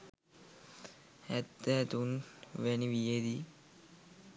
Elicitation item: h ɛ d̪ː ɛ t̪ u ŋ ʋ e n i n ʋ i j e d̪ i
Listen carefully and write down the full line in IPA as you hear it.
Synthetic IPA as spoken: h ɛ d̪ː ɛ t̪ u n ʋ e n i ʋ i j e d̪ i